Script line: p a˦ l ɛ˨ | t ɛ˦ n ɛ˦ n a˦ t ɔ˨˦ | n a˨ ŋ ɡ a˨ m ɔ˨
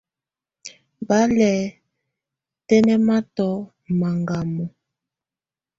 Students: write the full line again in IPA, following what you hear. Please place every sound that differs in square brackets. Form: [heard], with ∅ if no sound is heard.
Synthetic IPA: [b] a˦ l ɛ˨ | t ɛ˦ n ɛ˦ [m] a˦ t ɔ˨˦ | [m] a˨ ŋ ɡ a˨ m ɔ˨